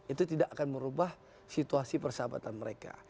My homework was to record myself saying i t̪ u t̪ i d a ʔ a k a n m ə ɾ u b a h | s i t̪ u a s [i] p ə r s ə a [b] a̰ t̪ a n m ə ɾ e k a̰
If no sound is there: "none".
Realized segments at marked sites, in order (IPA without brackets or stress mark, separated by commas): i, b